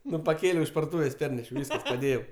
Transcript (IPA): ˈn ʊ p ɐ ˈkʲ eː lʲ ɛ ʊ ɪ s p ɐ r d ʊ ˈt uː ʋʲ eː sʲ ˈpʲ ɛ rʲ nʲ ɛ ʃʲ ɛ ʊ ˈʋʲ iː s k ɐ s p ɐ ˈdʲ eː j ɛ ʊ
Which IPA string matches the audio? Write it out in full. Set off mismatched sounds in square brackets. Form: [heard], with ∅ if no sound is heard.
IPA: ˈn ʊ p ɐ ˈkʲ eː lʲ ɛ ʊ ɪ [ʃ] p ɐ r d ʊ ˈt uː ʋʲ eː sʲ ˈpʲ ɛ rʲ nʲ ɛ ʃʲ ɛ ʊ ˈʋʲ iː s k ɐ s p ɐ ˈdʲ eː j ɛ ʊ